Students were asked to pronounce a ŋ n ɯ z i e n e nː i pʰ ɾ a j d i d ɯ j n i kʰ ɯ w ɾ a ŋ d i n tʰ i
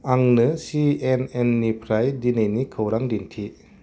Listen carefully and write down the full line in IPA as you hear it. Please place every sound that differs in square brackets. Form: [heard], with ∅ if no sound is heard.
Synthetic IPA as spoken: a ŋ n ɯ [s] i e n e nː i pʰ ɾ a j d i [n] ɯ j n i kʰ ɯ w ɾ a ŋ d i n tʰ i